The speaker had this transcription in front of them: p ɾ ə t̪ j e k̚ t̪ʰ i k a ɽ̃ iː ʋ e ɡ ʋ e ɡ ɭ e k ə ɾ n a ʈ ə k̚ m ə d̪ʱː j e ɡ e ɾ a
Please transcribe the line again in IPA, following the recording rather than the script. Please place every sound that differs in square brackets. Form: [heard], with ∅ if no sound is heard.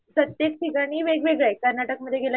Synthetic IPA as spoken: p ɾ ə t̪ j e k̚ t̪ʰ i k a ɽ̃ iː ʋ e ɡ ʋ e ɡ ɭ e k ə ɾ n a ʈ ə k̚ m ə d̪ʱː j e ɡ e [l] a